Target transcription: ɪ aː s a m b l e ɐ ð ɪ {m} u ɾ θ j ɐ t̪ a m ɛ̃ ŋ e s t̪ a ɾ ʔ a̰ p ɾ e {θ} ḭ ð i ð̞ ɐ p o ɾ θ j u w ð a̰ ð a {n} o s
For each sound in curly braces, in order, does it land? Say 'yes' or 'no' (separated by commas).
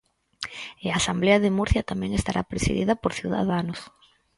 yes, no, yes